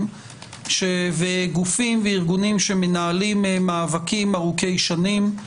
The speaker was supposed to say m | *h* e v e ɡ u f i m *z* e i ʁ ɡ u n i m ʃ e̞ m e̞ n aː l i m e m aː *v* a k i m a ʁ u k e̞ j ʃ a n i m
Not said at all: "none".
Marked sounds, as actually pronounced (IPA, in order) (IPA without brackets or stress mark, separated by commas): ʃ, v, v